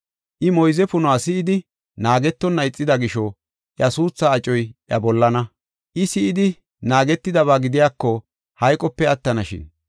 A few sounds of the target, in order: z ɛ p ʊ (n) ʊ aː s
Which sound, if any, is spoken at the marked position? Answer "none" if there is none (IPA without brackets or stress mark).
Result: n